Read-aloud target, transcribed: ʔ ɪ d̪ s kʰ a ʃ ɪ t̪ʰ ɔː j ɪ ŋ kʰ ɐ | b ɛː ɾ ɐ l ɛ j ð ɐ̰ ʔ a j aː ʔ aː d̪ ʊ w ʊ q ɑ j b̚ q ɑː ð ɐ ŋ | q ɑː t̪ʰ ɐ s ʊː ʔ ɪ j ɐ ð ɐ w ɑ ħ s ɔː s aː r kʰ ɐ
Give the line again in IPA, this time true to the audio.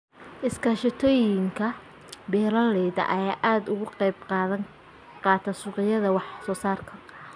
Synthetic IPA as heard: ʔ ɪ s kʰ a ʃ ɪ t̪ʰ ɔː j ɪ ŋ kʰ ɐ | b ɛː ɾ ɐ l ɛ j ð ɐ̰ ʔ ɐ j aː ʔ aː d̪ ʊ ɣ ʊ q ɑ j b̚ q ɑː ð ɐ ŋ | q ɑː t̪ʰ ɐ s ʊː q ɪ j ɐ ð ɐ w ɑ ħ s ɔː s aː r kʰ ɐ

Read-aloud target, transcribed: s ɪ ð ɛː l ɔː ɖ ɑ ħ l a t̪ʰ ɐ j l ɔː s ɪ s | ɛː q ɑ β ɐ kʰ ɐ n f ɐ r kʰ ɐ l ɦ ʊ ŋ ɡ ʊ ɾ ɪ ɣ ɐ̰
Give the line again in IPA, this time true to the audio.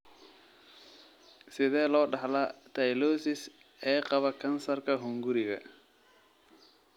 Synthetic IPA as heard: s ɪ ð ɛː l ɔː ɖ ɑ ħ l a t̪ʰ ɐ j l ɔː s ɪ s | ɛː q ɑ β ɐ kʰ ɐ n s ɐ r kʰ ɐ ɦ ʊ ŋ ɡ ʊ ɾ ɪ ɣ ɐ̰

